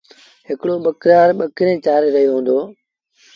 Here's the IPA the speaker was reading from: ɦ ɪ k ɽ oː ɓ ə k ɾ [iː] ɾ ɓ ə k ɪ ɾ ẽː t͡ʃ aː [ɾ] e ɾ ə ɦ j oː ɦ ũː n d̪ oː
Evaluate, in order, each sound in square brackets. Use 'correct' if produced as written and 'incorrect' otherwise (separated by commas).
incorrect, correct